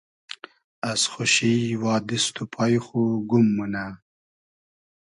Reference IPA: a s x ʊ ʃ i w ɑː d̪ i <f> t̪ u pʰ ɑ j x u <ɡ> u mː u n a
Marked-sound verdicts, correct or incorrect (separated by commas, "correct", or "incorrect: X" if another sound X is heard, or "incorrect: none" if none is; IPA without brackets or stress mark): incorrect: s, correct